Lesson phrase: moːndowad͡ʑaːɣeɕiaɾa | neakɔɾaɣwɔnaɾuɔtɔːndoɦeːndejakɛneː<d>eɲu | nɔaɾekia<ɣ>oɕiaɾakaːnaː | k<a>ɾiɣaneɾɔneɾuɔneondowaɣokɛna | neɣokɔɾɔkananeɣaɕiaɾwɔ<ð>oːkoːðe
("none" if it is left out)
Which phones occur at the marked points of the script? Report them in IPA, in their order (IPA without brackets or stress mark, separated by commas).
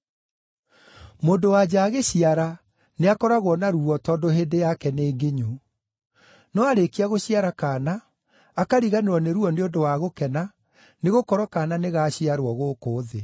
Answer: ɡ, ɣ, a, ɣ